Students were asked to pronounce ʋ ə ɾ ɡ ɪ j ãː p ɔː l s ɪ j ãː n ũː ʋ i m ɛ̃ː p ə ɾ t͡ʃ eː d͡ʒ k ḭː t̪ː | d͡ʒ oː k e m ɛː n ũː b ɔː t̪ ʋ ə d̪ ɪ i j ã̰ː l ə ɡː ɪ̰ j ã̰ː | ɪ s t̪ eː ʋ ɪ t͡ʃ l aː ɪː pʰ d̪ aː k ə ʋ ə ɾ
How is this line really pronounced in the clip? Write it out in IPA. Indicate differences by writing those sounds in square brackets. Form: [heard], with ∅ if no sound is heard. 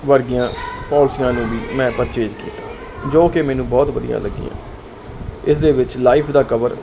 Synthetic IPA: ʋ ə ɾ ɡ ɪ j ãː p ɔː l s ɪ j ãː n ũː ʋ [iː] m ɛ̃ː p ə ɾ t͡ʃ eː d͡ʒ k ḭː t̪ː | d͡ʒ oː k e m ɛː n ũː b ɔː t̪ ʋ ə d̪ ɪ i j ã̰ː l ə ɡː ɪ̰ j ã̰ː | ɪ s [d̪] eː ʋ ɪ t͡ʃ l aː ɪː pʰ d̪ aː k ə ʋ ə ɾ